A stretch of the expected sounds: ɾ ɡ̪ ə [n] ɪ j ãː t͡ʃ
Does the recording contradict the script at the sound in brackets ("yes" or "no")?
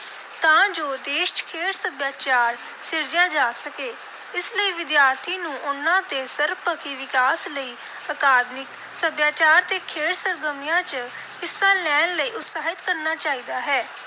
yes